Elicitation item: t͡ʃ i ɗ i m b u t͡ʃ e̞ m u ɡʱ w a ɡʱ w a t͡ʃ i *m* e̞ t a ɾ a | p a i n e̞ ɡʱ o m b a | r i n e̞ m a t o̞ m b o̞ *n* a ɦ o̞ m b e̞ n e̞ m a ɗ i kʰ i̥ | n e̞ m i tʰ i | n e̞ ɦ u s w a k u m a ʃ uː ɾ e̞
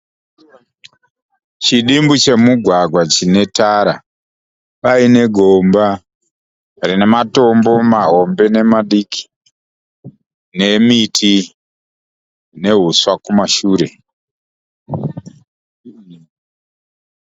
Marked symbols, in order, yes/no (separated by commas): no, no